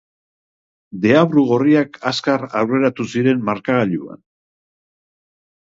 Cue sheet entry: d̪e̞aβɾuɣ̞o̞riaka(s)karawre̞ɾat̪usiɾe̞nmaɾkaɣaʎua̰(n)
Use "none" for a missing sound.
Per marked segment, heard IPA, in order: s, n

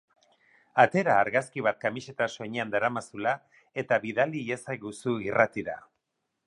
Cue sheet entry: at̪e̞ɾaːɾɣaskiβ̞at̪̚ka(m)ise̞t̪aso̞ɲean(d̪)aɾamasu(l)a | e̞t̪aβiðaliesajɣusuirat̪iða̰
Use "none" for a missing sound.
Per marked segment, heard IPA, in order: m, d̪, l

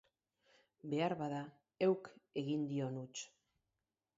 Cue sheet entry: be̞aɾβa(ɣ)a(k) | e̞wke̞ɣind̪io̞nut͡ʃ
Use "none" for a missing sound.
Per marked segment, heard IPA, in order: ð, none

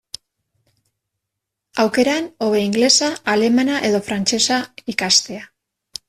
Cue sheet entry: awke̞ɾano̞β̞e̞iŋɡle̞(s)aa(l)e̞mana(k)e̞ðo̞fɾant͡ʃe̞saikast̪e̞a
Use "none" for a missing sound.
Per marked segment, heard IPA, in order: s, l, ʔ

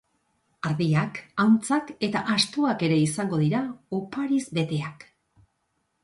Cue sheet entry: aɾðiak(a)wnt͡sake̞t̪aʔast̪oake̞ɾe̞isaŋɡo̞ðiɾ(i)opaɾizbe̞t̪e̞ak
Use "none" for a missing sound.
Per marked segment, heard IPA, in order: a, a

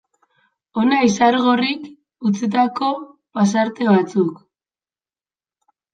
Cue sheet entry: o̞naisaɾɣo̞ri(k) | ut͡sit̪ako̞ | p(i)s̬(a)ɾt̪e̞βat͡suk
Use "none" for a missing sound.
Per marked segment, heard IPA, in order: k, a, a

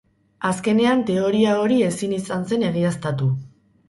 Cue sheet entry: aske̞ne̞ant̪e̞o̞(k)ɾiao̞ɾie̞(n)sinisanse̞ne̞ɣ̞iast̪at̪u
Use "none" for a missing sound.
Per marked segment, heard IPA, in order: none, none

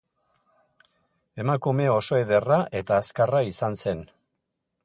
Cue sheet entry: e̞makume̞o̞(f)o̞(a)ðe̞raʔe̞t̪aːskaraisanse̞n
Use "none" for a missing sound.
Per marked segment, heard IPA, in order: s, e

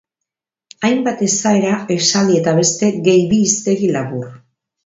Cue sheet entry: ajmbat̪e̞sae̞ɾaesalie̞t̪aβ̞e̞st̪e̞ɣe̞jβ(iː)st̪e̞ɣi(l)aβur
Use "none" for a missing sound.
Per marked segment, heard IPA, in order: iː, l

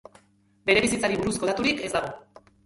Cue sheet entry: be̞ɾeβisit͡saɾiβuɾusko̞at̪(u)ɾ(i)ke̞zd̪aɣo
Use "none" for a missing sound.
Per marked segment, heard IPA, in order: u, i

